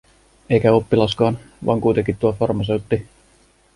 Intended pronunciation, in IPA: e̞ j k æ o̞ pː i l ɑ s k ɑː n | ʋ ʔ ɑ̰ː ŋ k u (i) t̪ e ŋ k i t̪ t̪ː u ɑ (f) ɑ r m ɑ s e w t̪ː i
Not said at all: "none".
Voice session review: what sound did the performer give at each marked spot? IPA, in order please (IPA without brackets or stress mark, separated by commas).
j, f